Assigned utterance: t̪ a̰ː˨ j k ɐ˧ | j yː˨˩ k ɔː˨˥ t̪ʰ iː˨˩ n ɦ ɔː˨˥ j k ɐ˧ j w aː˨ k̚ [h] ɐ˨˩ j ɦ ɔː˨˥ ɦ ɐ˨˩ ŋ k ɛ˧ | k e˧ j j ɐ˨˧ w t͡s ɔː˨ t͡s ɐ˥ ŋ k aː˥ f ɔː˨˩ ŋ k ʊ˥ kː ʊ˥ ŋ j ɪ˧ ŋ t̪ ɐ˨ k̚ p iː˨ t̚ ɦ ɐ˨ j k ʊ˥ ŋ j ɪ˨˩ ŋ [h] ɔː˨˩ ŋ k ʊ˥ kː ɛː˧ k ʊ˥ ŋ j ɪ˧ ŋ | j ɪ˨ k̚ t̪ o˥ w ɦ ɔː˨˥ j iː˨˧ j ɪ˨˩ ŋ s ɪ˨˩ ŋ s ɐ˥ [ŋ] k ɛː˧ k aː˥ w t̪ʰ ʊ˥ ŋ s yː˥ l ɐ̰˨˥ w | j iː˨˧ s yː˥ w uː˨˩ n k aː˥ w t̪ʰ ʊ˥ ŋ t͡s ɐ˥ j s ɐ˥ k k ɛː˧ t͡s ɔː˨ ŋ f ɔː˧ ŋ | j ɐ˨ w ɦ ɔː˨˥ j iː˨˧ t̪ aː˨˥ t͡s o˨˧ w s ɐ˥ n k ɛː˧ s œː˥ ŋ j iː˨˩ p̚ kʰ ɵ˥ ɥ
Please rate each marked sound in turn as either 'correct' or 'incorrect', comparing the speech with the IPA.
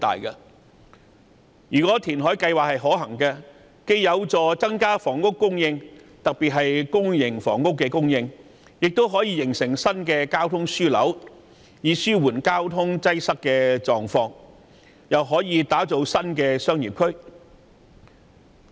correct, incorrect: f, incorrect: n

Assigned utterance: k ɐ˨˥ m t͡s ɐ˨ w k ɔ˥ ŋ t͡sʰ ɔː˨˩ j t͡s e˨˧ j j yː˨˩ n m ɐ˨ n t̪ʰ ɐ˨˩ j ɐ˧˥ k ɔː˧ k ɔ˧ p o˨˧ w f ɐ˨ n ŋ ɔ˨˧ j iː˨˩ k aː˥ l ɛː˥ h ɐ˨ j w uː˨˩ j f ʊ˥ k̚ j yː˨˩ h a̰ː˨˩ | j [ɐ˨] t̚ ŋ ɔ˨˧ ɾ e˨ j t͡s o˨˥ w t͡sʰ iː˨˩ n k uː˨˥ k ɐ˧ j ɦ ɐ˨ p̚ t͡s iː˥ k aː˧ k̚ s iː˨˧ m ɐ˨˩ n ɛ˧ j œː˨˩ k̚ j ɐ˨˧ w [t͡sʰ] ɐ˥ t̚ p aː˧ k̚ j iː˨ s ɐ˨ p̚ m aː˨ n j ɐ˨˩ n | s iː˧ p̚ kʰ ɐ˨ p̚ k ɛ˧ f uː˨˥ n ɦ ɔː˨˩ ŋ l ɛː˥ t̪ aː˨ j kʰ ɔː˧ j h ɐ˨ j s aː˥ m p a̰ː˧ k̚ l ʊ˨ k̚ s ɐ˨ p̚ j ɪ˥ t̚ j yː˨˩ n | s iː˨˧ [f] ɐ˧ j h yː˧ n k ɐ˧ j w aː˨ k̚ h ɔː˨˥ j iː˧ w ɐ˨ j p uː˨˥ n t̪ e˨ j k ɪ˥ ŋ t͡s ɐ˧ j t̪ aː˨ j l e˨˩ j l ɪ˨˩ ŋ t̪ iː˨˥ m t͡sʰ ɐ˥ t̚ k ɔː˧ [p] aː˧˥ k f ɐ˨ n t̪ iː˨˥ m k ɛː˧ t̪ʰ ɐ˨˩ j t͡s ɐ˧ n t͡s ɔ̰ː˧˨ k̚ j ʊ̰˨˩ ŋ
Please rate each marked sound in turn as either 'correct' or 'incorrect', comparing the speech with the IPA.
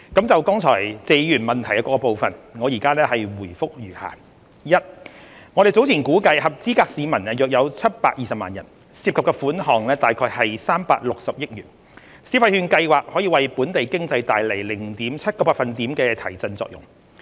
incorrect: ɐ˥, correct, correct, correct

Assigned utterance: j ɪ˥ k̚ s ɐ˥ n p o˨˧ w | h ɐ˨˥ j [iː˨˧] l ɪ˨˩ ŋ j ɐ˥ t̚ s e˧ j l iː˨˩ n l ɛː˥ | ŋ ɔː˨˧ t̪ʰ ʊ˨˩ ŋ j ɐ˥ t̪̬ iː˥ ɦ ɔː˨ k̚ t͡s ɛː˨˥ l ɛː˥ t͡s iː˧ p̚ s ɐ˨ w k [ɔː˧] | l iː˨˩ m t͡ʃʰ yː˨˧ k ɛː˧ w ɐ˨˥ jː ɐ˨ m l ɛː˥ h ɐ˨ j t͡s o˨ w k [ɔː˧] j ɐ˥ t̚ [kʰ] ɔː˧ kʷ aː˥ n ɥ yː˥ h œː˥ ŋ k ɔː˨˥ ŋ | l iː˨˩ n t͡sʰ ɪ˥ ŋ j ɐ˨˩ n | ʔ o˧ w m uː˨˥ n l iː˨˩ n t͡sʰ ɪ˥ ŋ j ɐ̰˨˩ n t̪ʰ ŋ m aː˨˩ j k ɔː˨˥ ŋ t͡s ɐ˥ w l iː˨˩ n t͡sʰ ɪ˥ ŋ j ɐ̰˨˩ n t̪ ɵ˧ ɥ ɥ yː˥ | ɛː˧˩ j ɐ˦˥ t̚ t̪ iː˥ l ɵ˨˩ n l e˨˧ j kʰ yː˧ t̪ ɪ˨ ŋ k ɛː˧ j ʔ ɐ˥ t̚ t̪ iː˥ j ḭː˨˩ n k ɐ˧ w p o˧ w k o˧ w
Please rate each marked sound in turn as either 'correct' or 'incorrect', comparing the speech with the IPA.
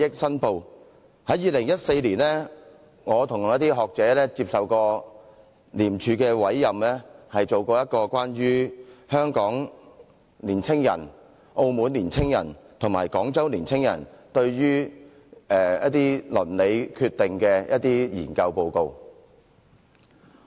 correct, correct, correct, incorrect: k

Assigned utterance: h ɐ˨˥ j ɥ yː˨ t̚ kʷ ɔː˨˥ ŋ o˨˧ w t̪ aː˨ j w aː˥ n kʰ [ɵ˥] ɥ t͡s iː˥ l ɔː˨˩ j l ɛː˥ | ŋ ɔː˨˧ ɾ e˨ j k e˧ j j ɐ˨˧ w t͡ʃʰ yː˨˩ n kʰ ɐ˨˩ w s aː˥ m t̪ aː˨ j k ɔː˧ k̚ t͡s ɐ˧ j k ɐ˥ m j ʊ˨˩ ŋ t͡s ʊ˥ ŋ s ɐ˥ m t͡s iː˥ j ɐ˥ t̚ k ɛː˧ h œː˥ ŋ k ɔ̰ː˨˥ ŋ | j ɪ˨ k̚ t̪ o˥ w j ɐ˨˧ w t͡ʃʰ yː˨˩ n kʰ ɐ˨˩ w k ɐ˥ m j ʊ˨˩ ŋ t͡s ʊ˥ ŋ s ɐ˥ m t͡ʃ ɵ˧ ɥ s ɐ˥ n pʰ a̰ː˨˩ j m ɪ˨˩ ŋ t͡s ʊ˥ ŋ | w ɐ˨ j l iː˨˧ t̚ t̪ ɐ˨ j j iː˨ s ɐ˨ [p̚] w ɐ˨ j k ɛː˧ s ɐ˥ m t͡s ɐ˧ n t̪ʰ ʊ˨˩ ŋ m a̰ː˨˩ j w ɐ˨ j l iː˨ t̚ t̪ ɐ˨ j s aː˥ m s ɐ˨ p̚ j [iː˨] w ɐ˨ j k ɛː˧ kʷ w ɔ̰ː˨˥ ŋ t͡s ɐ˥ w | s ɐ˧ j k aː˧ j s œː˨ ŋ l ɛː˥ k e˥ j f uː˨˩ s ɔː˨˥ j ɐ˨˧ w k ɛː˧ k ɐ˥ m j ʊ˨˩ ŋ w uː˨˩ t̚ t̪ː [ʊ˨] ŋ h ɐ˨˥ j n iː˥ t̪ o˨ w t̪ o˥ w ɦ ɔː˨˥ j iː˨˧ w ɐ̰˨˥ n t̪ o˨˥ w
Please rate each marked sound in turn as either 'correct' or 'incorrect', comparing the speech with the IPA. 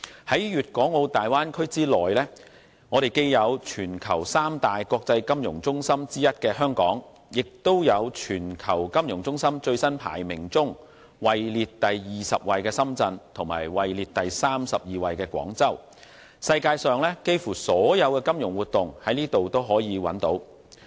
correct, correct, correct, correct

